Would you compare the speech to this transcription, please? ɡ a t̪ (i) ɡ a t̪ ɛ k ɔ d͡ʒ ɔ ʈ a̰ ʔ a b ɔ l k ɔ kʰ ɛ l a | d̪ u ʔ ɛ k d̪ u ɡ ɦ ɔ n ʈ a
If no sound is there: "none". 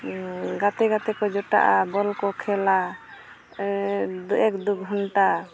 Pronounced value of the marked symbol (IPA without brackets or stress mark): ɛ